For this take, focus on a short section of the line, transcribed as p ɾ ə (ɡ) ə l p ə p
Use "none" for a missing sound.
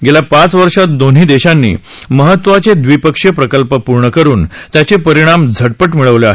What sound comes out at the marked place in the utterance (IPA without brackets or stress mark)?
k